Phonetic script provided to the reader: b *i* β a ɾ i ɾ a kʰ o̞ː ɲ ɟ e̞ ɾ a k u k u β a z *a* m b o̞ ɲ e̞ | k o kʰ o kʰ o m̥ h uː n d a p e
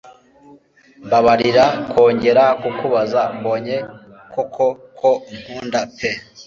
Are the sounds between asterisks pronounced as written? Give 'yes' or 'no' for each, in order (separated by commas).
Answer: no, yes